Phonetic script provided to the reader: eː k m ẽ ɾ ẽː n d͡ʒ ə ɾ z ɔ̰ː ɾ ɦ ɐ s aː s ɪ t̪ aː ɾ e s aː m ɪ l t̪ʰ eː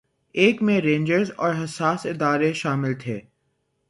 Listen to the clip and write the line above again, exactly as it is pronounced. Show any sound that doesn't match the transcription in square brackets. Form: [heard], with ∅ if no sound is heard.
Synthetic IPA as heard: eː k m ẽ ɾ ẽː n d͡ʒ ə ɾ z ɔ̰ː ɾ ɦ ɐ s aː s ɪ [d̪] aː ɾ e [ʃ] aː m ɪ l t̪ʰ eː